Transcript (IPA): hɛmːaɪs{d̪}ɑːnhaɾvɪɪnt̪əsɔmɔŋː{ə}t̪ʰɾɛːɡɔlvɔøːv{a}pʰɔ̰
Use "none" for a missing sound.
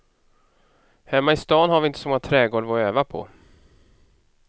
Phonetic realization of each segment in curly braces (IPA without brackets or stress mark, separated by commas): t̪, a, a